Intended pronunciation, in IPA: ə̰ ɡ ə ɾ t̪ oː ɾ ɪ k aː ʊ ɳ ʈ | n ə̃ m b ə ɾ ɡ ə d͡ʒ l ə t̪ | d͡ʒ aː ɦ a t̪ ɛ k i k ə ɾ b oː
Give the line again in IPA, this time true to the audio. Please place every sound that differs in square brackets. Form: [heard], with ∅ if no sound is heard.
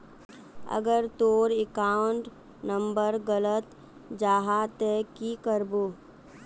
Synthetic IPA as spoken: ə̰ ɡ ə ɾ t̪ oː ɾ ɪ k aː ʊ ɳ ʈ | n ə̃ m b ə ɾ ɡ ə [∅] l ə t̪ | d͡ʒ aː ɦ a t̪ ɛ k i k ə ɾ b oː